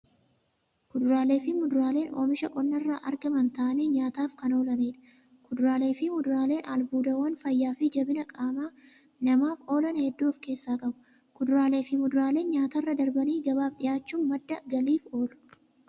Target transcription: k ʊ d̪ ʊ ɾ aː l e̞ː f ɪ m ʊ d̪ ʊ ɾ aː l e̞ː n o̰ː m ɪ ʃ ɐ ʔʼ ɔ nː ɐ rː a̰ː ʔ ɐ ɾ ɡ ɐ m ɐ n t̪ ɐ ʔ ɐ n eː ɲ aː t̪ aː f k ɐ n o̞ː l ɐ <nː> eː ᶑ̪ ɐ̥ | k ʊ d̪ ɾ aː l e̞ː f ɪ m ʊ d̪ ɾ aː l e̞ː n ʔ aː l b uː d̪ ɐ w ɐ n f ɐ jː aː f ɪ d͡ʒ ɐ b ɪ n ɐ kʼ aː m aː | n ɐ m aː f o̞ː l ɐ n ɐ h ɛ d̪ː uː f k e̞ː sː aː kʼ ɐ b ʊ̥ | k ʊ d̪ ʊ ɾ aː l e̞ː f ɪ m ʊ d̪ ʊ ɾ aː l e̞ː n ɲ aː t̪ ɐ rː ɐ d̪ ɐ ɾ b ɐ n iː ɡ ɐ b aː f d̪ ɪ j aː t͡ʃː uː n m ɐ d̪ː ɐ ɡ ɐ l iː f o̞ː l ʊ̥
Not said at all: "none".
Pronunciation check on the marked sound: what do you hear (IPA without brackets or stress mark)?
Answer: n